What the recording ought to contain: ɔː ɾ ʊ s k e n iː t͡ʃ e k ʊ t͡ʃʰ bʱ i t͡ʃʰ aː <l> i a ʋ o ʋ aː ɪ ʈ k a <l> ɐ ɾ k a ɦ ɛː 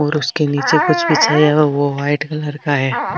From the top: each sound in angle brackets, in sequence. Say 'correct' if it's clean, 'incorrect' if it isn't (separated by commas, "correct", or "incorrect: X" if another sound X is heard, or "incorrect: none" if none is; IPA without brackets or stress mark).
incorrect: none, correct